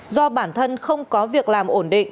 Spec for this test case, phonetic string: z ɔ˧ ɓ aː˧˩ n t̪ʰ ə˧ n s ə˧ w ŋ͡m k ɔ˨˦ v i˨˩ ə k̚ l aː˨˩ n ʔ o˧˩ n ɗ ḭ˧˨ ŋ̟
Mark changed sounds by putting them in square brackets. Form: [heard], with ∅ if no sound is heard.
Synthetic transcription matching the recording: z ɔ˧ ɓ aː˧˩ n t̪ʰ ə˧ n [x] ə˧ w ŋ͡m k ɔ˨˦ v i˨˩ ə k̚ l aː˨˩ [m] ʔ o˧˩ n ɗ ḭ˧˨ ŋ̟